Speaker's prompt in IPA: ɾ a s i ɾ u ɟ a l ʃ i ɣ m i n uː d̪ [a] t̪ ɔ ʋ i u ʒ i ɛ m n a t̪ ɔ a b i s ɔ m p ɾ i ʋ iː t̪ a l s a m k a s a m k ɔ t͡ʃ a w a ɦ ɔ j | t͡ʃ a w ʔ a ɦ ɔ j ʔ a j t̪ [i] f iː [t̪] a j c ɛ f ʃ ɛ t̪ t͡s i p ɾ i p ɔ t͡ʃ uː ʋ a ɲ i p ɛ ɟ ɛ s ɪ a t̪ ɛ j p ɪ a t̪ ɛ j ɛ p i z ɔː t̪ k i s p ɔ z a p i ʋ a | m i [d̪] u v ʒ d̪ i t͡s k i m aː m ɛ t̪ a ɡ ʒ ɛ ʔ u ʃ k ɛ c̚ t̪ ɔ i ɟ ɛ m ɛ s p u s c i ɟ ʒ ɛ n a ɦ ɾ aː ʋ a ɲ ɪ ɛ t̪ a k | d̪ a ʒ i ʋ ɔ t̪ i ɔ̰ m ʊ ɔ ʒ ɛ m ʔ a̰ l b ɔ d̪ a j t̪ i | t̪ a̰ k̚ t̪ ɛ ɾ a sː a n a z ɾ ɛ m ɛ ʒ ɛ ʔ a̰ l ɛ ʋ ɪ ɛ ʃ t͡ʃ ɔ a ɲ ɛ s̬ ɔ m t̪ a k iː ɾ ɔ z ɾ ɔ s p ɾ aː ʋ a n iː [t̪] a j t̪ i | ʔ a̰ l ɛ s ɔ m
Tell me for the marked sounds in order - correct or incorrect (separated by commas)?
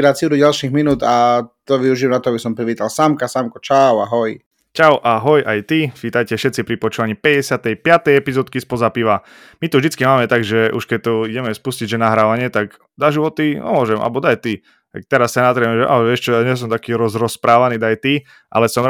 correct, correct, correct, incorrect, incorrect